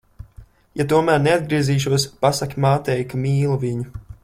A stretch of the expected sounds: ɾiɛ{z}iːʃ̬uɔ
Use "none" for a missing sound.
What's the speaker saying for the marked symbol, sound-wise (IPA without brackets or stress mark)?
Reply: z